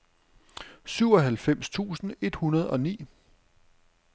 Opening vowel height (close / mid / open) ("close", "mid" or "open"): close